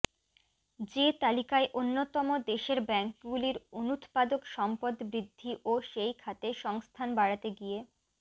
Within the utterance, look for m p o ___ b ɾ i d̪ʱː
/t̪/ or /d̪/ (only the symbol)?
d̪